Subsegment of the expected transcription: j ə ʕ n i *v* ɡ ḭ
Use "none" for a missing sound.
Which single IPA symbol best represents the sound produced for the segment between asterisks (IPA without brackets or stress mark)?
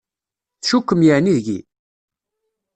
ð